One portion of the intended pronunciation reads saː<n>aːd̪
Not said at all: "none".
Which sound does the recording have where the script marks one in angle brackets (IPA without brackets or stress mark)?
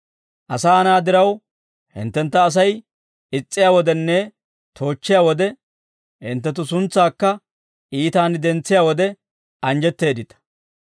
n